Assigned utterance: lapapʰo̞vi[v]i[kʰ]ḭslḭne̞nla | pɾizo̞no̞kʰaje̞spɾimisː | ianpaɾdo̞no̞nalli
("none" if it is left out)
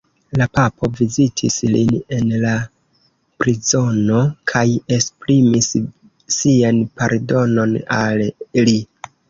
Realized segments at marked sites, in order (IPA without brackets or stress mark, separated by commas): z, tʰ